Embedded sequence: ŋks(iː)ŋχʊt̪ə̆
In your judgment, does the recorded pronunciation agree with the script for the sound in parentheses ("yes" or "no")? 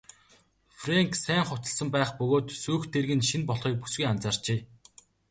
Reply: no